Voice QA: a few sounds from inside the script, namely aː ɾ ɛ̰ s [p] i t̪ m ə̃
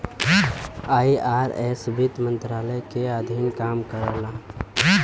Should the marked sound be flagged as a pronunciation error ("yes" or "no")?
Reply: yes